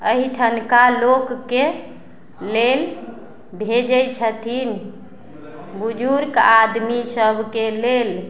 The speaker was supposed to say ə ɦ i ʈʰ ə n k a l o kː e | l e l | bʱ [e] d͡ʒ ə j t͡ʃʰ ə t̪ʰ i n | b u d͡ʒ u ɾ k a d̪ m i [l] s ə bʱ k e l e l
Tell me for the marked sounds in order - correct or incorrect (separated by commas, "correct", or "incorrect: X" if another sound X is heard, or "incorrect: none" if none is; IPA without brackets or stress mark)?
correct, incorrect: none